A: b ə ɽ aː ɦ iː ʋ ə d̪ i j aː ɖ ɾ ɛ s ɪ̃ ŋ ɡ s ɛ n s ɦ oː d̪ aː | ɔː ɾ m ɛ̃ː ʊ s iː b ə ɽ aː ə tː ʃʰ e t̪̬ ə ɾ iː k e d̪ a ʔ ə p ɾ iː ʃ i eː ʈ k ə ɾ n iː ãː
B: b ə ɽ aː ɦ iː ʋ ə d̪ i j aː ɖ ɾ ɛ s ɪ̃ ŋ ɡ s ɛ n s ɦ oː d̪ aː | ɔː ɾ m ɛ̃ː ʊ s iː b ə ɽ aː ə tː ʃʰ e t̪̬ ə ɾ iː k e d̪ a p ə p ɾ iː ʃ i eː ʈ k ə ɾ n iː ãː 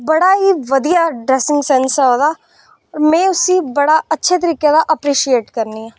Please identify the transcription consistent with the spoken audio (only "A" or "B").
A